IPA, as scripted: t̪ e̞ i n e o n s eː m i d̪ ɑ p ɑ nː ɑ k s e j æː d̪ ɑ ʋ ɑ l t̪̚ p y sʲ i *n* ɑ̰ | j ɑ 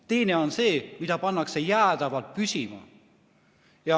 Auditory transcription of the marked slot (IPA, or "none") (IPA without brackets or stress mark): m